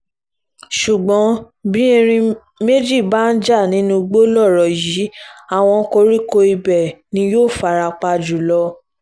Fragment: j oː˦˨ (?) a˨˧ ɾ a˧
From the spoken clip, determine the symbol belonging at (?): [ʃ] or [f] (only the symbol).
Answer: f